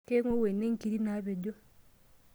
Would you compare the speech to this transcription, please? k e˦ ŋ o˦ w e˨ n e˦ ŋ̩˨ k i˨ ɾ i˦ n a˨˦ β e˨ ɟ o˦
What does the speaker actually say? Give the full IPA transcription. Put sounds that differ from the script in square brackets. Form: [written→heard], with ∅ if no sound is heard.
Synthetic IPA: k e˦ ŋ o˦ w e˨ n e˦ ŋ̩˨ k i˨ ɾ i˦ n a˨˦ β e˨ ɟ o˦